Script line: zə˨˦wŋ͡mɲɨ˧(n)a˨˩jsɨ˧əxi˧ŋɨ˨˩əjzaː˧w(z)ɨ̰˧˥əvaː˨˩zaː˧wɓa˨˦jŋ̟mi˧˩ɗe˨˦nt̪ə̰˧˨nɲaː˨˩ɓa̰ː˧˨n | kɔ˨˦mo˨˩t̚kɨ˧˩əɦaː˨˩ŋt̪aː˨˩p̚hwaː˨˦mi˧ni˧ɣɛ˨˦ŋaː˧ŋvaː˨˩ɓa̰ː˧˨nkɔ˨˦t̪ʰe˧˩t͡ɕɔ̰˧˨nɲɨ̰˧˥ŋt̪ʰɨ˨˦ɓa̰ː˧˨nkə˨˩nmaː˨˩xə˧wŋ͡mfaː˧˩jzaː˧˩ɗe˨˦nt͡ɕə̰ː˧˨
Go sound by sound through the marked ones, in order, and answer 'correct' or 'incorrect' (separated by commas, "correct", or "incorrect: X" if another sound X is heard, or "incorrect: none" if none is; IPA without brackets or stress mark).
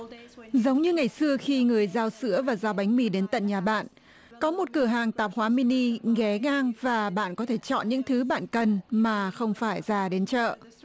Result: incorrect: ŋ, incorrect: s